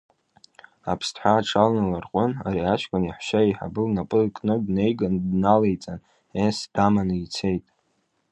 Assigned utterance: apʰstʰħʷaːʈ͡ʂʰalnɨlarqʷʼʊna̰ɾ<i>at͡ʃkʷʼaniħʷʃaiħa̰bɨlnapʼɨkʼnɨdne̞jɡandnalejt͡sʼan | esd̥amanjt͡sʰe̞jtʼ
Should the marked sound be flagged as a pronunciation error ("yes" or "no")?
no